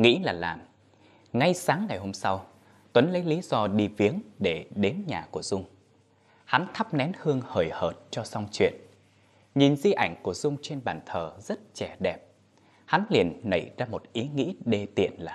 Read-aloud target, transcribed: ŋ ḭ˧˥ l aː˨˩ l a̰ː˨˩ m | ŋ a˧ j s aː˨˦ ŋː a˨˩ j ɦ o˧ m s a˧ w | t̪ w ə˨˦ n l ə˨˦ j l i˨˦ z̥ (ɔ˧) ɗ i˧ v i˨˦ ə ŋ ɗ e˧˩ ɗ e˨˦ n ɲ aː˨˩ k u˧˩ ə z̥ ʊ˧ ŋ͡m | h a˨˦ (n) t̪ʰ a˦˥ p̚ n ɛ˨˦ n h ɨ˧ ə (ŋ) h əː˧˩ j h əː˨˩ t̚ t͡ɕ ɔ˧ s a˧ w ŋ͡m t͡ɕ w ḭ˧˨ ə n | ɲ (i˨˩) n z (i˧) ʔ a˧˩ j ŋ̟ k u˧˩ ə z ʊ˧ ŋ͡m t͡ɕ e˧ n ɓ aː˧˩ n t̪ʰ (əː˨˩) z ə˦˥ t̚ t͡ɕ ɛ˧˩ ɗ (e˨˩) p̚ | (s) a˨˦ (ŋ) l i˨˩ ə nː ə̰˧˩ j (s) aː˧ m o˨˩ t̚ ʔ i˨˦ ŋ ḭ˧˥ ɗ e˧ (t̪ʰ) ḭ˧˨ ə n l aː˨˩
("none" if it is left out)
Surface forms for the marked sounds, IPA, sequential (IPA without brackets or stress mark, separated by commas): ɔ˧, n, ŋ, i˨˩, i˧, əː˨˩, ɛ˨˩, h, n, z, t̪